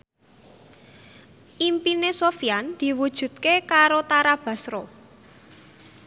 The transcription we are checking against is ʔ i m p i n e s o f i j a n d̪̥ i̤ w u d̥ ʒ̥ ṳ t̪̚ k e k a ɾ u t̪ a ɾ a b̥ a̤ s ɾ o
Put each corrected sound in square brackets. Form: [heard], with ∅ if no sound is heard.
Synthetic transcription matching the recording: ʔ i m p i n e s o f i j a n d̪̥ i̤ w u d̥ ʒ̥ ṳ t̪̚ k e k a ɾ [o] t̪ a ɾ a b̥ a̤ s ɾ o